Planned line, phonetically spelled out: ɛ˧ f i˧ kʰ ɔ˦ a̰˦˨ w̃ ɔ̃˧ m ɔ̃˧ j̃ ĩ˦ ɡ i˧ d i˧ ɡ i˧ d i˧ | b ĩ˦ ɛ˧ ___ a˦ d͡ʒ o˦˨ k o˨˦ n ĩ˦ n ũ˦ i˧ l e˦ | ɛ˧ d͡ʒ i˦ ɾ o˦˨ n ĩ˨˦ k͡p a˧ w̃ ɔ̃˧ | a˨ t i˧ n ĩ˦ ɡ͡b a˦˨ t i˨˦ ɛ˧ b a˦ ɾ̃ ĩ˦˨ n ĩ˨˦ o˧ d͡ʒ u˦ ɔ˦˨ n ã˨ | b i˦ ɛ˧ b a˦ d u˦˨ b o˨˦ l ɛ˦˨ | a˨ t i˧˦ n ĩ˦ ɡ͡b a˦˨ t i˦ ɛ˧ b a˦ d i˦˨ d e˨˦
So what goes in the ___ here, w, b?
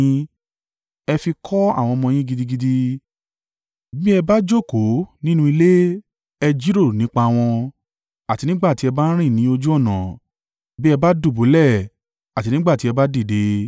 b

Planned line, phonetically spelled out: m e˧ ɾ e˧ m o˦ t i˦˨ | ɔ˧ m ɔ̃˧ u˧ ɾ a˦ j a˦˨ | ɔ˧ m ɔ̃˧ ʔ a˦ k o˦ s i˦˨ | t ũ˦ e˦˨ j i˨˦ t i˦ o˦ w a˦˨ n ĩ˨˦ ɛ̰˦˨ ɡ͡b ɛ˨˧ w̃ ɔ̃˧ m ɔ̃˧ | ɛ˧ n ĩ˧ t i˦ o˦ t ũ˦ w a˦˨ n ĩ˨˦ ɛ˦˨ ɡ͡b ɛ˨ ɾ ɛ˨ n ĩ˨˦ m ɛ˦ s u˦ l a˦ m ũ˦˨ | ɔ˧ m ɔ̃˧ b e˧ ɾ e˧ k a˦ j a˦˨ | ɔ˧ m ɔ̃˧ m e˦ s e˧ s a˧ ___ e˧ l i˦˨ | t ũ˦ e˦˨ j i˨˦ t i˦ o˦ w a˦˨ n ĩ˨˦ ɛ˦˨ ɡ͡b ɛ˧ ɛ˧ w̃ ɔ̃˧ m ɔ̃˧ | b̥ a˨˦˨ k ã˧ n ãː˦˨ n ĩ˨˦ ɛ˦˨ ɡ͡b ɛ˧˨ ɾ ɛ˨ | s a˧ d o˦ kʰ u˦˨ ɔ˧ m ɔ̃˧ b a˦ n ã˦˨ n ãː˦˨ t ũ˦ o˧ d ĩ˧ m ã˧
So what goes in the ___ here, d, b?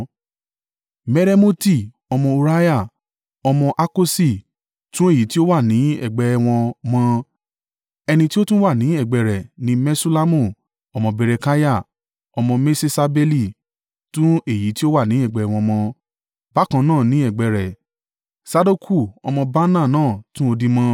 b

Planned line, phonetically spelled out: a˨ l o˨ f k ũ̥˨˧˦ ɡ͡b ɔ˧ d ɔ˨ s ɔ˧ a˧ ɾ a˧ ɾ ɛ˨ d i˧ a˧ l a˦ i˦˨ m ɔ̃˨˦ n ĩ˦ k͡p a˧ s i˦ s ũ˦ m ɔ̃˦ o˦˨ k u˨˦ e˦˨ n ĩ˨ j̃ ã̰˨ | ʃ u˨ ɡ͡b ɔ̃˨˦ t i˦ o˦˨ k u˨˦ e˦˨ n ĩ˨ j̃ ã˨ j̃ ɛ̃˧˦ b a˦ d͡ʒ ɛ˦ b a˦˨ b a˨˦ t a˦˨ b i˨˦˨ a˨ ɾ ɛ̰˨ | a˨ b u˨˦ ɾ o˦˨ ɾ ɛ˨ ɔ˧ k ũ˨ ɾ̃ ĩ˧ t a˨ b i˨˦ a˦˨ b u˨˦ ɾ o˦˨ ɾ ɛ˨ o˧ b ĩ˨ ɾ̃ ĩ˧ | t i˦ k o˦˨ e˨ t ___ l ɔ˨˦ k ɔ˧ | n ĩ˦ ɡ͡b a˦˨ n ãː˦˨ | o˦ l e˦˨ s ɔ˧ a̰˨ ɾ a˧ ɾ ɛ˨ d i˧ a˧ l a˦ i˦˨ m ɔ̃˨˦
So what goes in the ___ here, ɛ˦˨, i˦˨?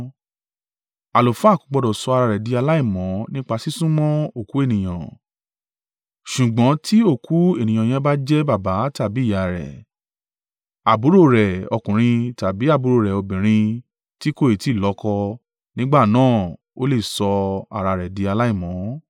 i˦˨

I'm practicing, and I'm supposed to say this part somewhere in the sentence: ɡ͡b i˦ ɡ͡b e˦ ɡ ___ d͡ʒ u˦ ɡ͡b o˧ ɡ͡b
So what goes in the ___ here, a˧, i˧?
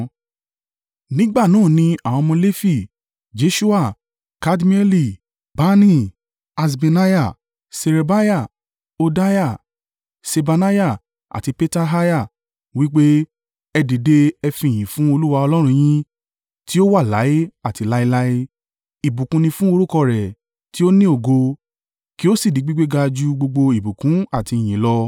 a˧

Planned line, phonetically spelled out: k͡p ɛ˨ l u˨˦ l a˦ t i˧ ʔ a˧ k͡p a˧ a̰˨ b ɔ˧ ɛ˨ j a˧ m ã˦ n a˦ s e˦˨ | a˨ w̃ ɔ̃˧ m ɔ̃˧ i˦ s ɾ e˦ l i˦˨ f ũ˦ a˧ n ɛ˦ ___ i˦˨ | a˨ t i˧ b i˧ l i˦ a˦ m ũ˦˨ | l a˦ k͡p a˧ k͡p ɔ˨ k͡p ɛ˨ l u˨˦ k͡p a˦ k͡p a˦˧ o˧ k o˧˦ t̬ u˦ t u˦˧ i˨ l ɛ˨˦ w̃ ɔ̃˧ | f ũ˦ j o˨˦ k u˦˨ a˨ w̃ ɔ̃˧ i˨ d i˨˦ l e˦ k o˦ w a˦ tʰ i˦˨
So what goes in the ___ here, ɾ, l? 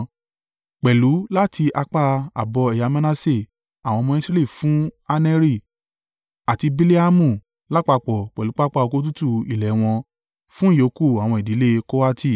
ɾ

